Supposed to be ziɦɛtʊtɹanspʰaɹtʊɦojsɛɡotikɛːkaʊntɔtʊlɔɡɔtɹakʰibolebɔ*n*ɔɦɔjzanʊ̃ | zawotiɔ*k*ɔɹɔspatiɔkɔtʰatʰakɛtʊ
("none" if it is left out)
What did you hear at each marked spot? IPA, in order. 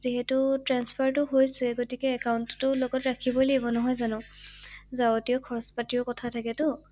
n, kʰ

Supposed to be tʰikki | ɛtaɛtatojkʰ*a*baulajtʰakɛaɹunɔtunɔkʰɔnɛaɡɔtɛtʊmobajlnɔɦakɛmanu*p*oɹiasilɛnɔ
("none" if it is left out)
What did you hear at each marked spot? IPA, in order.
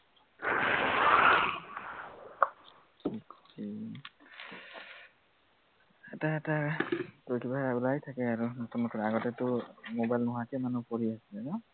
i, p

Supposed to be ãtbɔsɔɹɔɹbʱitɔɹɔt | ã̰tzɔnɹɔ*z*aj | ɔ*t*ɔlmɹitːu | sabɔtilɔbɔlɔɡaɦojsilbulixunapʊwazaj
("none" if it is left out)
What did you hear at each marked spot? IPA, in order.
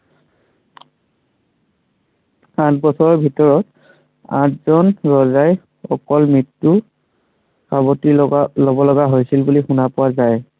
z, k

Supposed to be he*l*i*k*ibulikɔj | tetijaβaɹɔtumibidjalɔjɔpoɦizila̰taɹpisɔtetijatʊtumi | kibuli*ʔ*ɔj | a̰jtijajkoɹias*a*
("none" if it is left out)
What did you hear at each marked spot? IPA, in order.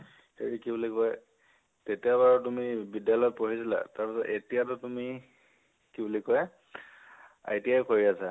ɹ, k, k, a

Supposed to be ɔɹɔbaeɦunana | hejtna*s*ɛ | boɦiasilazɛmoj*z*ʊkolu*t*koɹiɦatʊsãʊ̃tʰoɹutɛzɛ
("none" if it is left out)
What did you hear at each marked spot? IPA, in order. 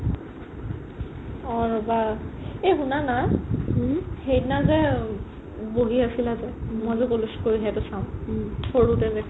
z, z, s

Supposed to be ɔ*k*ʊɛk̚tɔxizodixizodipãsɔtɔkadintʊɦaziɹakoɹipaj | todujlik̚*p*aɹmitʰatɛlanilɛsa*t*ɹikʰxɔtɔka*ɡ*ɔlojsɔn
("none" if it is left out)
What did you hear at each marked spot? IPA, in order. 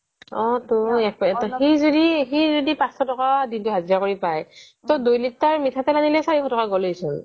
t, t, none, ɡ

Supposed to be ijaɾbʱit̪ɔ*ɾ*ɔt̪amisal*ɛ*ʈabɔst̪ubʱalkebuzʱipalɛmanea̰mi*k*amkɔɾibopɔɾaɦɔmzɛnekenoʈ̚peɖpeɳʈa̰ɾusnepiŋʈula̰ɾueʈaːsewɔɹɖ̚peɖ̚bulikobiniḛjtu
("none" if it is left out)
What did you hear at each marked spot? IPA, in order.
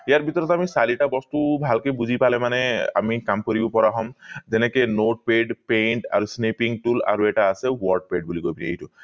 ɾ, i, k

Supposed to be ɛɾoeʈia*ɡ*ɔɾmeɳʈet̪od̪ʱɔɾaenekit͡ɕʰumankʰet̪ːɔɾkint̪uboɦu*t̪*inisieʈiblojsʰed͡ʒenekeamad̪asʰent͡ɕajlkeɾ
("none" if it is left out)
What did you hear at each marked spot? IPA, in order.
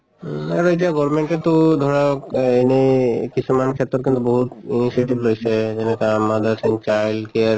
ɡ, t̪

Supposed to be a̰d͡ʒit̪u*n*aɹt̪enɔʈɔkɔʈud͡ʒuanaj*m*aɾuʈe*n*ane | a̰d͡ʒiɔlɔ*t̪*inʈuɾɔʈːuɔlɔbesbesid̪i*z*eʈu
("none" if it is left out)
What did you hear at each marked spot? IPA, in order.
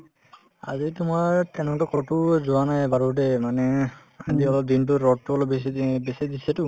m, b, m, d̪, s

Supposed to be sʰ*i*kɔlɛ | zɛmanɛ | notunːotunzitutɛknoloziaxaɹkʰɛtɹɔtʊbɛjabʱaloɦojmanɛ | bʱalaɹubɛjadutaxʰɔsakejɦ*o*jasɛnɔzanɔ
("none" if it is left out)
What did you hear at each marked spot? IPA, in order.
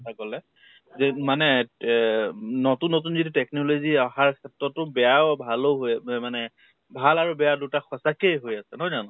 a, o

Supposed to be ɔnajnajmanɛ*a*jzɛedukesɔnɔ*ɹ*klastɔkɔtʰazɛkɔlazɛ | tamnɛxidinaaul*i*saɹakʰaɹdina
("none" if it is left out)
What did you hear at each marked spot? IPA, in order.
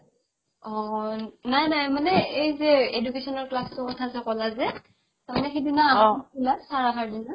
e, ɹ, a

